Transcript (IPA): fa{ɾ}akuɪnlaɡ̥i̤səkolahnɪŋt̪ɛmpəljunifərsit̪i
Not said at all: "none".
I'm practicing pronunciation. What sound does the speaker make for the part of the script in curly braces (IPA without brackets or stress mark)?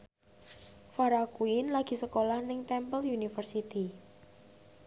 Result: ɾ